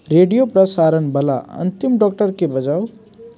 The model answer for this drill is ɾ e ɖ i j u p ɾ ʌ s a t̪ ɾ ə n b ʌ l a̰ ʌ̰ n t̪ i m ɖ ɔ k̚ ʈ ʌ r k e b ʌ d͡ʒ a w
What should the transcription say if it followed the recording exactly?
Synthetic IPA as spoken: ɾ e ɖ i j o p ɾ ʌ s a ɾ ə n b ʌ l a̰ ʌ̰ n t̪ i m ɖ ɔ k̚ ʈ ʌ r k e b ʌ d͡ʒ a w

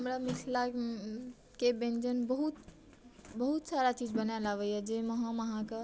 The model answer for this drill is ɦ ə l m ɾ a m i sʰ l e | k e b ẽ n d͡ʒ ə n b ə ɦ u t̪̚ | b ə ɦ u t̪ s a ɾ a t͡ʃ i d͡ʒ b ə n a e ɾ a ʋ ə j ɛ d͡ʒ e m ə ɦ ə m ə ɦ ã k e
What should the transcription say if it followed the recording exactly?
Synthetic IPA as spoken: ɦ ə m ɾ a m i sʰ l a | k e b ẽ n d͡ʒ ə n b ə ɦ u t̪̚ | b ə ɦ u t̪ s a ɾ a t͡ʃ i d͡ʒ b ə n a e l a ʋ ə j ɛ d͡ʒ e m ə ɦ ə m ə ɦ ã k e

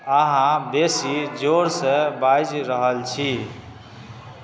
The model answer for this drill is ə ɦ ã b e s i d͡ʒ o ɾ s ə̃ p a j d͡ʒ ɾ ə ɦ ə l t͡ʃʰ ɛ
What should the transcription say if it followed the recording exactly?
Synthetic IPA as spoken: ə ɦ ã b e s i d͡ʒ o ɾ s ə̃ b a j d͡ʒ ɾ ə ɦ ə l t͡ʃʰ i

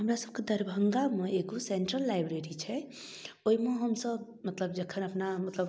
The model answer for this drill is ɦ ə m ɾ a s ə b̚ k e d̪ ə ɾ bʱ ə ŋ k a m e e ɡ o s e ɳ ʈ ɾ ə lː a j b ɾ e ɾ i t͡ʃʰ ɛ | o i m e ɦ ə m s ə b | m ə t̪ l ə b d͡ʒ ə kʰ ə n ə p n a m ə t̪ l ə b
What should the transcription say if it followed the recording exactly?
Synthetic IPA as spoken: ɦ ə m ɾ a s ə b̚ k e d̪ ə ɾ bʱ ə ŋ ɡ a m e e ɡ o s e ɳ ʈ ɾ ə lː a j b ɾ e ɾ i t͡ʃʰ ɛ | o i m e ɦ ə m s ə b | m ə t̪ l ə b d͡ʒ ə kʰ ə n ə p n a m ə t̪ l ə b

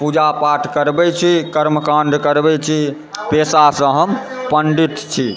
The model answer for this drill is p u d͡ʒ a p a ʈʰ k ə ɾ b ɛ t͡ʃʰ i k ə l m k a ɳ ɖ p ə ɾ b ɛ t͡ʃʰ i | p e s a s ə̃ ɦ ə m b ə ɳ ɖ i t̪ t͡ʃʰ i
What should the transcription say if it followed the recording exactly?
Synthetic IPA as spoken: p u d͡ʒ a p a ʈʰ k ə ɾ b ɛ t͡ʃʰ i k ə ɾ m k a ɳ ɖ k ə ɾ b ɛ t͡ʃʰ i | p e s a s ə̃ ɦ ə m p ə ɳ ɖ i t̪ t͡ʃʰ i

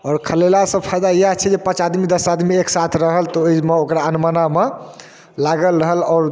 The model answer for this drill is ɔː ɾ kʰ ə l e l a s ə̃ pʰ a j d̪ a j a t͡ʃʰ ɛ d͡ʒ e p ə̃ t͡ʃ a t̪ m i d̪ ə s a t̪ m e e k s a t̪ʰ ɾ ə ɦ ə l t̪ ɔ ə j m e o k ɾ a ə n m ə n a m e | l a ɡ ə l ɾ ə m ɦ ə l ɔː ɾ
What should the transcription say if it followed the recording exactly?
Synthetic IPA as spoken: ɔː ɾ kʰ ə l e l a s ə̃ pʰ a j d̪ a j a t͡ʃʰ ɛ d͡ʒ e p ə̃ t͡ʃ a d̪ m i d̪ ə s a d̪ m i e k s a t̪ʰ ɾ ə ɦ ə l t̪ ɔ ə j m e o k ɾ a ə n m ə n a m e | l a ɡ ə l ɾ ə ɦ ə l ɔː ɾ

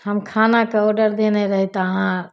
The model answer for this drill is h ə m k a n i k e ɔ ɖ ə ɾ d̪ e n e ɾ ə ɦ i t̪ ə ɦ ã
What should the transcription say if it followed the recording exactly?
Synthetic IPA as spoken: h ə m kʰ a n a k e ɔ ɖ ə ɾ d̪ e n e ɾ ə ɦ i t̪ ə ɦ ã

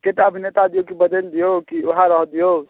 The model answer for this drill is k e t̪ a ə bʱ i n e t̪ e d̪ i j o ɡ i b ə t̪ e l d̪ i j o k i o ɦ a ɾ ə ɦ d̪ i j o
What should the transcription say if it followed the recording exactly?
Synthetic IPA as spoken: k e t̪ a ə bʱ i n e t̪ a d̪ i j o k i b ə d̪ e l d̪ i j o k i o ɦ a ɾ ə ɦ d̪ i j o

